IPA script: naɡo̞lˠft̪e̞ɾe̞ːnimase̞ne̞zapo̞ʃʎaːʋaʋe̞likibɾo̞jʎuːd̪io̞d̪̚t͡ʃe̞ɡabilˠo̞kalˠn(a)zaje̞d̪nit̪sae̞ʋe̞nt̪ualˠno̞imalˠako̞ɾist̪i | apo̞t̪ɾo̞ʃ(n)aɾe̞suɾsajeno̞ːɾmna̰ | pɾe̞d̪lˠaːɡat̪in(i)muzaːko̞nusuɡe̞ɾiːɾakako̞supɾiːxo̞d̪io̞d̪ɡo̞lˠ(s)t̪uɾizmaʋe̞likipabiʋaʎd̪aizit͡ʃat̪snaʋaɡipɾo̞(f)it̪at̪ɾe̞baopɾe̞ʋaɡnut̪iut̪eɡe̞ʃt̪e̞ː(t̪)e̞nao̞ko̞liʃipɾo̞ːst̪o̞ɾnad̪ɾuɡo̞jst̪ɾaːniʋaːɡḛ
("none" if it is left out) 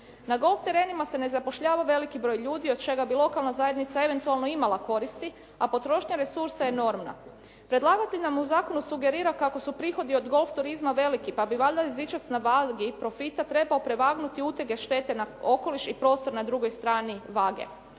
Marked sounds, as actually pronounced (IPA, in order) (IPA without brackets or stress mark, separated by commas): a, ɲ, a, f, f, t̪